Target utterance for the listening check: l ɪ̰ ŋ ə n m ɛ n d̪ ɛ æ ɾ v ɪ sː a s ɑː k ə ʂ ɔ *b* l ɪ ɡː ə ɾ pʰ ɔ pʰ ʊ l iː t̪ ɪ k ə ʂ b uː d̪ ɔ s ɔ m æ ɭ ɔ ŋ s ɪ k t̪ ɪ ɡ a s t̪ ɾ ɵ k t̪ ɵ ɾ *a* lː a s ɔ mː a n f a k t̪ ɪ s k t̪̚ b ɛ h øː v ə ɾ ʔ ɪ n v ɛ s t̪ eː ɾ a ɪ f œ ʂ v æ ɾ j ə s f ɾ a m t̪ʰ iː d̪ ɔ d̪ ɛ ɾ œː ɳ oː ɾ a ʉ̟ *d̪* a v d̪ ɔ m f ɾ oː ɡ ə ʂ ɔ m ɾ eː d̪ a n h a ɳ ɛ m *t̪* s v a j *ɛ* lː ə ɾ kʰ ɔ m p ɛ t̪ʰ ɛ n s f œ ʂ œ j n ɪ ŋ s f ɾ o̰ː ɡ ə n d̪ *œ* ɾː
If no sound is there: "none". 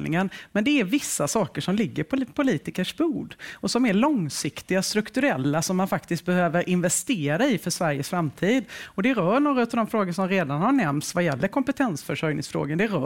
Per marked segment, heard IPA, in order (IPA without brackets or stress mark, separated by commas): m, ɛ, t̪, t̪, ɛ, ɛ